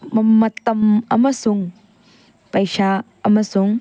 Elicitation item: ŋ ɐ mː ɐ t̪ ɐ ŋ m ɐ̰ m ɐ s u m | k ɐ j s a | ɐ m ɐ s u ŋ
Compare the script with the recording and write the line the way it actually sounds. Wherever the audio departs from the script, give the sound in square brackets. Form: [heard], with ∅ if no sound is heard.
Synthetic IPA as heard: [m] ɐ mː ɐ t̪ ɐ [∅] m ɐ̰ m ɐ s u [ŋ] | [p] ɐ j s a | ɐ m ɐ s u ŋ

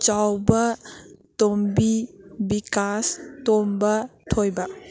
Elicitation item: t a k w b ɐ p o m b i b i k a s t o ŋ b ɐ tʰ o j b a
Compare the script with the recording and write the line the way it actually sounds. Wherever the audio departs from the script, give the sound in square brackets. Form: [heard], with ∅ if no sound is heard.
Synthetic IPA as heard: [t͡ʃ] a [∅] w b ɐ [t] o m b i b i k a s t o [m] b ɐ tʰ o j b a

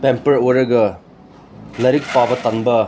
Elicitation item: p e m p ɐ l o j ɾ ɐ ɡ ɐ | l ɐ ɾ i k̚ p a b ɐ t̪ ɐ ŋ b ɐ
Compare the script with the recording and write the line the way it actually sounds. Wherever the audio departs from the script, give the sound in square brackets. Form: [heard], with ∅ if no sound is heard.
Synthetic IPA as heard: p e m p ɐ [ɾ] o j ɾ ɐ ɡ ɐ | l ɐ ɾ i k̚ p a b ɐ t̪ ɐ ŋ b ɐ

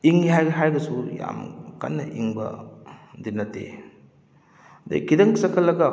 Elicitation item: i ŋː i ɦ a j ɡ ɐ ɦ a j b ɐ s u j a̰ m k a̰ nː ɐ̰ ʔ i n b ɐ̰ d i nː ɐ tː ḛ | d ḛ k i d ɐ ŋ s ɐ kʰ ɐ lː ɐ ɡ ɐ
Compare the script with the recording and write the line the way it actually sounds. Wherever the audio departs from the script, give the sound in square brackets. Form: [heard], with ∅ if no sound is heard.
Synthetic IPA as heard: i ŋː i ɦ a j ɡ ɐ ɦ a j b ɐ s u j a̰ m k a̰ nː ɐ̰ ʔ i [ŋ] b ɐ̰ d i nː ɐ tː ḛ | d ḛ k i d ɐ ŋ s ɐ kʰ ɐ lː ɐ ɡ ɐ

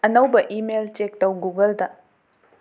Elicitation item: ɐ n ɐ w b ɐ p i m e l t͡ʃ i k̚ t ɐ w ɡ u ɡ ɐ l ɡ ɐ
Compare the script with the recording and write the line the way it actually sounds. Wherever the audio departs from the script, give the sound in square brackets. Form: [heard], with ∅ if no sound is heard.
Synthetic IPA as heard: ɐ n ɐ w b ɐ [ʔ] i m e l t͡ʃ [e] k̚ t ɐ w ɡ u ɡ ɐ l [d] ɐ

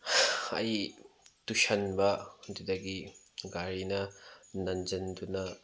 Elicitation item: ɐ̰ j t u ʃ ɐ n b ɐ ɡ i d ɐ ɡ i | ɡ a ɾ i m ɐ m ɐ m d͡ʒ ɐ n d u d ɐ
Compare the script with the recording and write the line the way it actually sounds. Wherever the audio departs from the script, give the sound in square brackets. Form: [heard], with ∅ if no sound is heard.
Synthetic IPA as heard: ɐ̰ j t u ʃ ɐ n b ɐ [d] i d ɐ ɡ i | ɡ a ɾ i [n] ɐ [n] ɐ [n] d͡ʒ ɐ n d u [n] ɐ

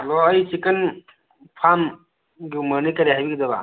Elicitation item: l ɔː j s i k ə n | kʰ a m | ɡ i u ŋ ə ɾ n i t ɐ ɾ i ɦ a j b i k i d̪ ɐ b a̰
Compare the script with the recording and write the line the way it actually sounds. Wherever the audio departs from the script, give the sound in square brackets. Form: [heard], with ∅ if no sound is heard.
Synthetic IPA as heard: l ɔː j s i k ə n | [pʰ] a m | ɡ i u [m] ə ɾ n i [k] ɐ ɾ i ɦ a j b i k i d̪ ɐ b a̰

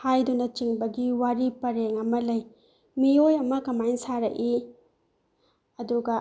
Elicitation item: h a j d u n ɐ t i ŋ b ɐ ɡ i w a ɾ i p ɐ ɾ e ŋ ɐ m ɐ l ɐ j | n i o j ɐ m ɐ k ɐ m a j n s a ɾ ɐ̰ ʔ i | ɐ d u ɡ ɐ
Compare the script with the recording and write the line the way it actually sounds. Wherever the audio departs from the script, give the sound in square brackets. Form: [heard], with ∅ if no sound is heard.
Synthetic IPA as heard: h a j d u n ɐ [t͡ʃ] i ŋ b ɐ ɡ i w a ɾ i p ɐ ɾ e ŋ ɐ m ɐ l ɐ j | [m] i o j ɐ m ɐ k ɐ m a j n s a ɾ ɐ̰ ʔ i | ɐ d u ɡ ɐ

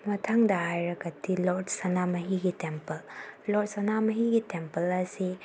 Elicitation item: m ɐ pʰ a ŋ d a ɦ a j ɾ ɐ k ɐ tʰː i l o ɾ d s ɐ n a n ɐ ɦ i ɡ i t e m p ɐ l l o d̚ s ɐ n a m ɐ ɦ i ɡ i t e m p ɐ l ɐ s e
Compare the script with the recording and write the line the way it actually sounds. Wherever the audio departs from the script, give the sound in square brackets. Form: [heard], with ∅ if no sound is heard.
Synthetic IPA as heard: m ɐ [tʰ] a ŋ d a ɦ a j ɾ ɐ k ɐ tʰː i l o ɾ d s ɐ n a [m] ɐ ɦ i ɡ i t e m p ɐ l l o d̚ s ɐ n a m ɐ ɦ i ɡ i t e m p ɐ l ɐ s [i]

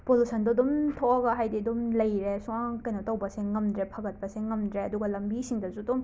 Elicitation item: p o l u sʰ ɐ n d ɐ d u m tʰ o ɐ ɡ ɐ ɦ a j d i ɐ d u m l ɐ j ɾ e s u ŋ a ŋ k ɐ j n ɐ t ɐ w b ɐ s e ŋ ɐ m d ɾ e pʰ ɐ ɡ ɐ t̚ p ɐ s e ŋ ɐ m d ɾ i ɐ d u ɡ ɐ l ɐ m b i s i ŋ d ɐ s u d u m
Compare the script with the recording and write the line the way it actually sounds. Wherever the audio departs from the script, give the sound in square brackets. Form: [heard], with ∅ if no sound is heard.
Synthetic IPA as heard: p o l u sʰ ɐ n d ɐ d u m tʰ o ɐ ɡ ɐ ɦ a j d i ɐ d u m l ɐ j ɾ e s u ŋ a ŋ k ɐ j n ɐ t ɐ w b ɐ s e ŋ ɐ m d ɾ e pʰ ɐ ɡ ɐ t̚ p ɐ s e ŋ ɐ m d ɾ [e] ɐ d u ɡ ɐ l ɐ m b i s i ŋ d ɐ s u d u m

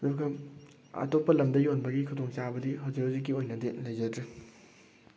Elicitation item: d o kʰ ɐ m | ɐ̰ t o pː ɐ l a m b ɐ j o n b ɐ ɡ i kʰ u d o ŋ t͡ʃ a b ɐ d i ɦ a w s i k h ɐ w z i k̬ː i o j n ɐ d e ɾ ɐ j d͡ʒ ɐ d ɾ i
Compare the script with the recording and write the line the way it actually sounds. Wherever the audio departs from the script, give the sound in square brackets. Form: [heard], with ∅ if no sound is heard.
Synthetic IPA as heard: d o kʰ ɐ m | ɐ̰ t o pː ɐ l [ɐ] m [d] ɐ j o n b ɐ ɡ i kʰ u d o ŋ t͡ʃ a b ɐ d i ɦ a w [z] i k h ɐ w z i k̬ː i o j n ɐ d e [l] ɐ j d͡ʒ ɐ d ɾ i

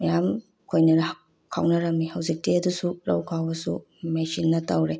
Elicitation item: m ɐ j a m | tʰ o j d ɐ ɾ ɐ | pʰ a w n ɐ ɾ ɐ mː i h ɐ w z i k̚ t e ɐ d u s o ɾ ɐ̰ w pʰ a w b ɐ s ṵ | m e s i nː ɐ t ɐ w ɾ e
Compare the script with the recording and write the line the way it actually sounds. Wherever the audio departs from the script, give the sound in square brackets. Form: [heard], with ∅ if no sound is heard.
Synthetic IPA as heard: m ɐ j a m | [kʰ] o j [n] ɐ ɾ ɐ | [kʰ] a w n ɐ ɾ ɐ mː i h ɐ w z i k̚ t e ɐ d u s [u] ɾ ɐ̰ w [kʰ] a w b ɐ s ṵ | m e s i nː ɐ t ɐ w ɾ e

